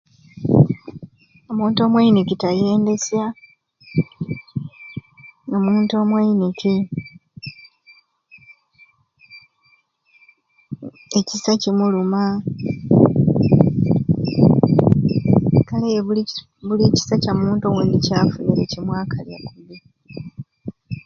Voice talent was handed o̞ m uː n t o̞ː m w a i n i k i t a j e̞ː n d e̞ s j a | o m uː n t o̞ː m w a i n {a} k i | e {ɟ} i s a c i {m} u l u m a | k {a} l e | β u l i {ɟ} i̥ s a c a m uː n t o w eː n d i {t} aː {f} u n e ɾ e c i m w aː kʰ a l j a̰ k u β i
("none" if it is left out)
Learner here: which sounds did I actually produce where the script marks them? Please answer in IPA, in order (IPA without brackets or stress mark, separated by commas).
i, c, m, a, c, c, f